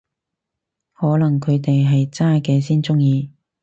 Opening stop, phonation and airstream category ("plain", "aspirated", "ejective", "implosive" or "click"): aspirated